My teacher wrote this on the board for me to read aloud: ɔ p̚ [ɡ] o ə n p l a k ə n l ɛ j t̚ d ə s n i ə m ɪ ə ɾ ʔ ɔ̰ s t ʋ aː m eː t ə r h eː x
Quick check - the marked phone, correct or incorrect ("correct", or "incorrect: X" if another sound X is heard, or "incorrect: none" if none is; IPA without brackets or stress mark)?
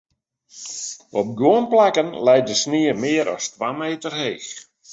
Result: correct